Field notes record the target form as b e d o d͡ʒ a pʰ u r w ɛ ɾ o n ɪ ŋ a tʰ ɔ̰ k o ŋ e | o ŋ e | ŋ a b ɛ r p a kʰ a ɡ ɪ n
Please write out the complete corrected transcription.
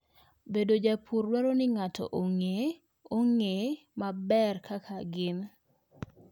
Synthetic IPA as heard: b e d o d͡ʒ a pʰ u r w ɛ ɾ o n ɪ ŋ a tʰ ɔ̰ ʔ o ŋ e | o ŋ e | m a b ɛ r k a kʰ a ɡ ɪ n